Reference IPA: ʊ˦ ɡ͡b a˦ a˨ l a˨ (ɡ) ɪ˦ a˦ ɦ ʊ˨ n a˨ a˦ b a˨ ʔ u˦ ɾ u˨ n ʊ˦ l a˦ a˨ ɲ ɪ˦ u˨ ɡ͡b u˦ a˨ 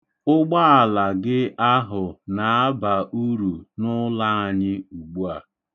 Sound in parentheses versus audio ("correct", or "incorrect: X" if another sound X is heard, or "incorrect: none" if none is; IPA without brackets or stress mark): correct